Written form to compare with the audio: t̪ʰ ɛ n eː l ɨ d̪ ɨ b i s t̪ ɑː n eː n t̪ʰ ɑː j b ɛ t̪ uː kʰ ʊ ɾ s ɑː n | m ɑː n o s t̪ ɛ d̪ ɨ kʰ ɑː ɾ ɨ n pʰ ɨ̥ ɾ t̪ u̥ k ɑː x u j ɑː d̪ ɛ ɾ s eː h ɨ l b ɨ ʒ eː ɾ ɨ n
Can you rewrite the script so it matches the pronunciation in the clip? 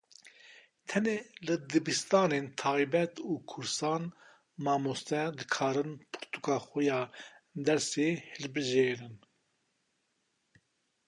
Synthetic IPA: t̪ʰ ɛ n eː l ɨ d̪ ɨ b i s t̪ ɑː n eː n t̪ʰ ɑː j b ɛ t̪ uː kʰ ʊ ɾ s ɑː n | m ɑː m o s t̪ ɛ d̪ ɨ kʰ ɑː ɾ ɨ n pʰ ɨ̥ ɾ t̪ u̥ k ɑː x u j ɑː d̪ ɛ ɾ s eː h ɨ l b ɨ ʒ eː ɾ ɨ n